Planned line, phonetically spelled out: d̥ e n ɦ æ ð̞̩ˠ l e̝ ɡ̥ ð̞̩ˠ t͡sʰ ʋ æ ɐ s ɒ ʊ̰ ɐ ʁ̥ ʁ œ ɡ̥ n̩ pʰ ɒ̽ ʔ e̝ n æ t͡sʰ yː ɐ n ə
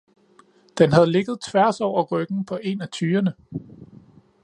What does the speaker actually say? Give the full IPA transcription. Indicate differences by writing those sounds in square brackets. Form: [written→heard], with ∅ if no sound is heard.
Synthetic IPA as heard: d̥ e n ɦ æ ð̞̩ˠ l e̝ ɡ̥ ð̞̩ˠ t͡sʰ ʋ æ ɐ s ɒ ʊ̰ ɐ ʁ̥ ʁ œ ɡ̥ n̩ pʰ ɒ̽ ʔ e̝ n æ t͡sʰ yː ɐ n ə

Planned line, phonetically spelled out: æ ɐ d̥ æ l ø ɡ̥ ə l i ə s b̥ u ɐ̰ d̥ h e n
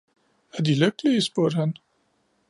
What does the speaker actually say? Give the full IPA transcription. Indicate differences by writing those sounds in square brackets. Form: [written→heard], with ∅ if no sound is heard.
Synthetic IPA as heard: æ ɐ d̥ [æ→i] l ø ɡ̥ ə l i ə s b̥ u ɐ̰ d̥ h [e→æ] n

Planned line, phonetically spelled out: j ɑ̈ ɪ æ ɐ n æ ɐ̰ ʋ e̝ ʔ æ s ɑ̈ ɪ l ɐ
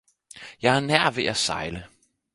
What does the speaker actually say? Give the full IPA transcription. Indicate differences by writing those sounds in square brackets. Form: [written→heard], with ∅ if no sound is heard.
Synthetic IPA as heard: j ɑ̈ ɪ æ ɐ n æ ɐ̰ ʋ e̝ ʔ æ s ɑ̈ ɪ l [ɐ→ə]

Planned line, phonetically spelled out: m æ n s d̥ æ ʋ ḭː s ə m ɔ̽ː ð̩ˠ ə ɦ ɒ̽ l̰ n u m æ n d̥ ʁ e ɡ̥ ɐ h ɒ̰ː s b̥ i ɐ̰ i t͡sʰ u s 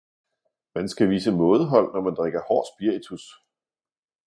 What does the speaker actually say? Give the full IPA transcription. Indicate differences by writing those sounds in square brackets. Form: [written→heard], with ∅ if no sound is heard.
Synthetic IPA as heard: m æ n s [d̥→ɡ̥] æ ʋ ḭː s ə m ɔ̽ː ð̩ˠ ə ɦ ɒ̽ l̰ n [u→ɒ] m æ n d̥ ʁ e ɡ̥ ɐ h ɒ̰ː s b̥ i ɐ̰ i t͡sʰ u s

